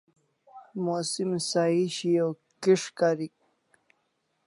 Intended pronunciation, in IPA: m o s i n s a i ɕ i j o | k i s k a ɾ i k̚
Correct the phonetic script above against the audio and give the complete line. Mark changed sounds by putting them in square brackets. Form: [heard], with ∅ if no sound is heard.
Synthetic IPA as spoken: m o s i [m] s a i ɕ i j o | k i [ʂ] k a ɾ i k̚